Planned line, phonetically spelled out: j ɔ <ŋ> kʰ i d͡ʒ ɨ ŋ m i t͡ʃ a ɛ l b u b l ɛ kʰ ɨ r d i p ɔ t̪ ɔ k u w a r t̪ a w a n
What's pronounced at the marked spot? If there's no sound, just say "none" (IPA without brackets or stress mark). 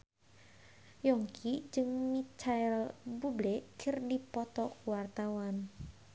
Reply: ŋ